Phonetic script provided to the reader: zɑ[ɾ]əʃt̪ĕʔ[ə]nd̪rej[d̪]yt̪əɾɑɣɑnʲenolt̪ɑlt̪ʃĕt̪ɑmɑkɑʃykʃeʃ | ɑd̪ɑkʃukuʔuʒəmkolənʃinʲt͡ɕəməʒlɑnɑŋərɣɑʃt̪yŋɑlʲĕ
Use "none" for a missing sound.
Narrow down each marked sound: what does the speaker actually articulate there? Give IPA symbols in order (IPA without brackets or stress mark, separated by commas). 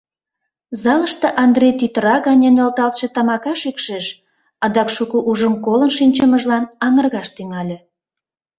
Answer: l, ɑ, t̪